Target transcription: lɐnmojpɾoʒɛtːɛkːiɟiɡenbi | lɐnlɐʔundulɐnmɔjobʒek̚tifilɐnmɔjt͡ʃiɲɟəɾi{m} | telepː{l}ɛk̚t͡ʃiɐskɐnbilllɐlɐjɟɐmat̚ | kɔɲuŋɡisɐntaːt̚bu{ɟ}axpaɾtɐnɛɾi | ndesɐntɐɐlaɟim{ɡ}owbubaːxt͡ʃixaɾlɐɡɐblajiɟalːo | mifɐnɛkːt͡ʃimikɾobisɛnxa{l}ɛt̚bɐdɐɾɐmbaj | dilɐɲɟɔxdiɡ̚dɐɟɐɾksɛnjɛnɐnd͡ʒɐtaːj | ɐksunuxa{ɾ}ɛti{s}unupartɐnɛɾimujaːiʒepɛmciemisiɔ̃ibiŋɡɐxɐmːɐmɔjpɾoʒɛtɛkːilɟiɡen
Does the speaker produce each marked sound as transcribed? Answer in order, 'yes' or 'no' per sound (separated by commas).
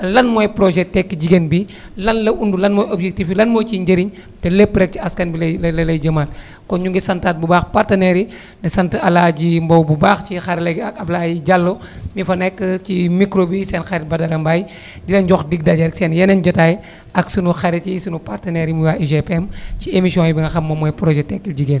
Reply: no, no, no, no, no, yes, yes